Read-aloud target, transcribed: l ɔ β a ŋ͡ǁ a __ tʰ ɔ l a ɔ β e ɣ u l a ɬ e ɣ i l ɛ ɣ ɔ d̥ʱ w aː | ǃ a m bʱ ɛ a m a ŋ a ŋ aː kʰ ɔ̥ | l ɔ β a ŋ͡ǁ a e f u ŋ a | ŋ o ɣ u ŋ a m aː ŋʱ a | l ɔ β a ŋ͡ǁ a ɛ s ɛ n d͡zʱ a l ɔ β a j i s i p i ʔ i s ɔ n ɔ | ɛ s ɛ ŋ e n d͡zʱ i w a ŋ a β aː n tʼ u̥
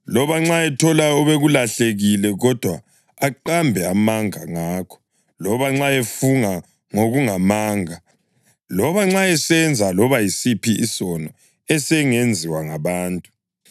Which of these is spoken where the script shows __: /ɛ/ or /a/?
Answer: ɛ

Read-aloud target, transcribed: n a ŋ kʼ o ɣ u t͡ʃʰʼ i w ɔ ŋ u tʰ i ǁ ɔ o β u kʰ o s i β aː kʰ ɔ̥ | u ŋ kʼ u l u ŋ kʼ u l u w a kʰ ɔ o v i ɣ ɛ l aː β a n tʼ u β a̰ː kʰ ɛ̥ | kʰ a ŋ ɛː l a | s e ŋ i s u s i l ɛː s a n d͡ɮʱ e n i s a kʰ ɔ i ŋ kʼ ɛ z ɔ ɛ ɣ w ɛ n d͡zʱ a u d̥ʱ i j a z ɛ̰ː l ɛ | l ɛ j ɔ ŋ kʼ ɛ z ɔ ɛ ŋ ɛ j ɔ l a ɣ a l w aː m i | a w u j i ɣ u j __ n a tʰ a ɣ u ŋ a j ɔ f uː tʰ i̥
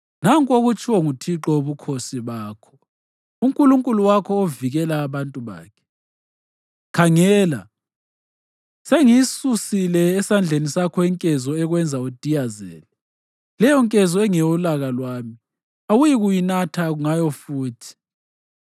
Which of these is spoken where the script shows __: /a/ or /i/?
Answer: i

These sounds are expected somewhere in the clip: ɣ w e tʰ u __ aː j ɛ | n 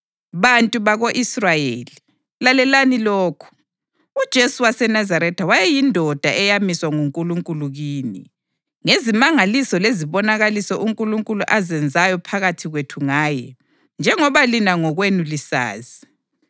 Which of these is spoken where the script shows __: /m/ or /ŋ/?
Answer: ŋ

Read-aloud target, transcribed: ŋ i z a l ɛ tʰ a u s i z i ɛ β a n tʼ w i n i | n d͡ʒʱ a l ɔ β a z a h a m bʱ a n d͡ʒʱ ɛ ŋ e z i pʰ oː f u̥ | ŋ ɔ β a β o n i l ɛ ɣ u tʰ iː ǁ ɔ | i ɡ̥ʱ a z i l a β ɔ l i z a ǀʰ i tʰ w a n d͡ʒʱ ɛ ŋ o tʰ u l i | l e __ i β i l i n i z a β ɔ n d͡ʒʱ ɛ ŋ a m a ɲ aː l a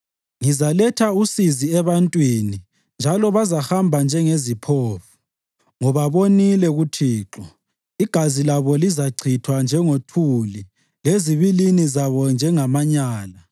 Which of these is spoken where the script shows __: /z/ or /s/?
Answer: z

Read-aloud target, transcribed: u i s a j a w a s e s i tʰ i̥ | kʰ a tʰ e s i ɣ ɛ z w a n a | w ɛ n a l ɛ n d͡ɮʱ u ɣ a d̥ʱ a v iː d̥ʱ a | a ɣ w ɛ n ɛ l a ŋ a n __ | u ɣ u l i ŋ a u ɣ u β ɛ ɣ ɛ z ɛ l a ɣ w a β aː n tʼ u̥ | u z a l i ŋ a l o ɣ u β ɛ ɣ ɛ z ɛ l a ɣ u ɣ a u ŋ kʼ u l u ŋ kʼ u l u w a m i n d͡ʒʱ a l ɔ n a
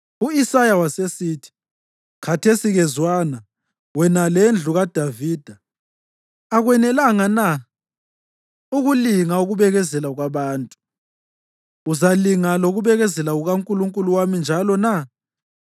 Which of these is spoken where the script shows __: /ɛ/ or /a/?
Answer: a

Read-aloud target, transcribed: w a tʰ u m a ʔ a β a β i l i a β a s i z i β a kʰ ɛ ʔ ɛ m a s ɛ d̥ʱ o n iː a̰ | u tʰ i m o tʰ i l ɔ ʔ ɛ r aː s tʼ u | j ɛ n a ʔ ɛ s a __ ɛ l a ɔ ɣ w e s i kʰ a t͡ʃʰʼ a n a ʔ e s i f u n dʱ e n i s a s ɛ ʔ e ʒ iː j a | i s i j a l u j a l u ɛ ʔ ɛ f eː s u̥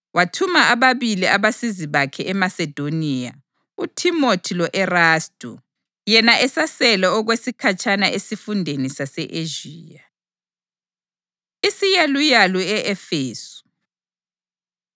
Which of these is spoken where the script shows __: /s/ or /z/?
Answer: s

